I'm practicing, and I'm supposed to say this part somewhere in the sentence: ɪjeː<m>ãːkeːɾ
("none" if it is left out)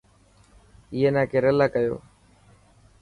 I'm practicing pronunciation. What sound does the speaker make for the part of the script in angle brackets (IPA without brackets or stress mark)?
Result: n